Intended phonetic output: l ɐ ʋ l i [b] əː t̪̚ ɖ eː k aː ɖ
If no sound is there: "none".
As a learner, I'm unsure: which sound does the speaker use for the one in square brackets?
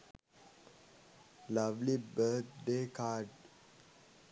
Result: b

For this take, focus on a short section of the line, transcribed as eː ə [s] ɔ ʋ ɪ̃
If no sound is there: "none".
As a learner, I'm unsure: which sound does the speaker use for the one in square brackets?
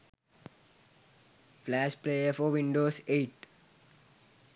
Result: f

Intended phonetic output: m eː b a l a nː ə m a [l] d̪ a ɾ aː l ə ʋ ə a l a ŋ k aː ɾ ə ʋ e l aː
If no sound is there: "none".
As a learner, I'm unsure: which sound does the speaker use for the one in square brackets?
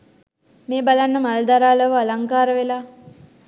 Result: l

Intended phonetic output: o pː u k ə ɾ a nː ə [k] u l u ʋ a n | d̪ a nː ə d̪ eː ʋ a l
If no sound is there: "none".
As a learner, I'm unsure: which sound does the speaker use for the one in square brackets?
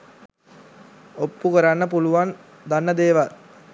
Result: p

